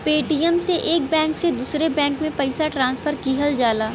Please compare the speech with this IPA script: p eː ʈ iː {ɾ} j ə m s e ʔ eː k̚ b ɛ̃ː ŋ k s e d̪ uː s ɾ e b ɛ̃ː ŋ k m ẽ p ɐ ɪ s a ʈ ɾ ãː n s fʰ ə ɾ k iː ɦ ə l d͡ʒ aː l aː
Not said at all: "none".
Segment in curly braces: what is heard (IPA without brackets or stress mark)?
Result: none